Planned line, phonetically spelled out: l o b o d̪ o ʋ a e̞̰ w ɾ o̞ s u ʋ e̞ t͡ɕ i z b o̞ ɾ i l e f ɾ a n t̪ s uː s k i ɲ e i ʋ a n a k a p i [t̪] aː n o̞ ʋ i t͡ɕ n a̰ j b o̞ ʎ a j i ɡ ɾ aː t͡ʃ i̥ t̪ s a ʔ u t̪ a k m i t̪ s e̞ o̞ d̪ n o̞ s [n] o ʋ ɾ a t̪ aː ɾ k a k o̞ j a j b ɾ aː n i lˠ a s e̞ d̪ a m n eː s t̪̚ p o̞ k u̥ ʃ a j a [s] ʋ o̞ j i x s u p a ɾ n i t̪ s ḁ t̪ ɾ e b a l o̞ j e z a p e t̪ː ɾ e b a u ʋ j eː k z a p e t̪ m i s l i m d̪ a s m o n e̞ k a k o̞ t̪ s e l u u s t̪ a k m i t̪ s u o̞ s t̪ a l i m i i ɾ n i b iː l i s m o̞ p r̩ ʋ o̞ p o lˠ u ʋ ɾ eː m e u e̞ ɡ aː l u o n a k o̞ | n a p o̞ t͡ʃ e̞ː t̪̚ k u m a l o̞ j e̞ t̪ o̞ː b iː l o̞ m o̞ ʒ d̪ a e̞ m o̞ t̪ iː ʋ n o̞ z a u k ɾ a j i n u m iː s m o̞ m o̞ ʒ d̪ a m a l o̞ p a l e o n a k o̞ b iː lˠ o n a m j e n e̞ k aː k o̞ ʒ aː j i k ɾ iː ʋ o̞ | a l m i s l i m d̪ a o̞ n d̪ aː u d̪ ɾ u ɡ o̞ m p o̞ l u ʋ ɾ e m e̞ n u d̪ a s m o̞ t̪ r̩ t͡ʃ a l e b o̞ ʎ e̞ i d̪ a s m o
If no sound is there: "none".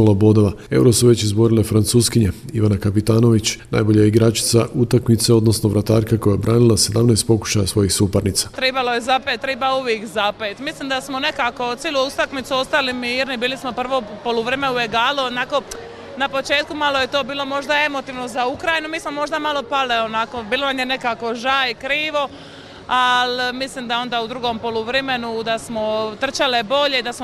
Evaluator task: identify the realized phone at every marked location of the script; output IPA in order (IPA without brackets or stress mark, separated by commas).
t̪, n, s